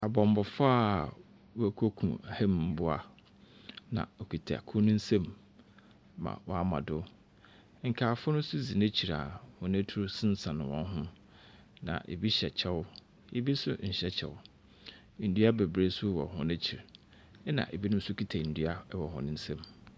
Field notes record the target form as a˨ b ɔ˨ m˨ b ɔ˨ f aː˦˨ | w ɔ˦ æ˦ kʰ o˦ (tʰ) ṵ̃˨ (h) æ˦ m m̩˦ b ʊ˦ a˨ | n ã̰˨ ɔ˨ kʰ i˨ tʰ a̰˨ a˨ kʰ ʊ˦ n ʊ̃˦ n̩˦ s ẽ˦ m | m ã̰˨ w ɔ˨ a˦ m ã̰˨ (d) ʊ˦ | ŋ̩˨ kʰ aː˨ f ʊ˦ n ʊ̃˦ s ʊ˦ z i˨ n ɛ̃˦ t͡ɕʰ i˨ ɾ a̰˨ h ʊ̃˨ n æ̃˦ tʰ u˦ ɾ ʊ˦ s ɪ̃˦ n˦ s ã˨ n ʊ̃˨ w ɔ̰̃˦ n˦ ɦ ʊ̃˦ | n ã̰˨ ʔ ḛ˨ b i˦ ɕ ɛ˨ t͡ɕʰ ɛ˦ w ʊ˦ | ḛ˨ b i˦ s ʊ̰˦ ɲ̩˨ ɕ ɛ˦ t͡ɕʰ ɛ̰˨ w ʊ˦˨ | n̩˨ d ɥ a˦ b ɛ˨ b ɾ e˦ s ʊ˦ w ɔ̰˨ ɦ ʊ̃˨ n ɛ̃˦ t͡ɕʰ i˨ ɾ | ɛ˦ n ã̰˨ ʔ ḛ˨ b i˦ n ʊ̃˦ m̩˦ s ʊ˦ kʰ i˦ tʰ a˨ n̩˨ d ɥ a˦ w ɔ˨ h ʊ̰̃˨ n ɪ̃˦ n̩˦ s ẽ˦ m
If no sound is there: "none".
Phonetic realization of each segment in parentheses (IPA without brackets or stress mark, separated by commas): kʰ, h, d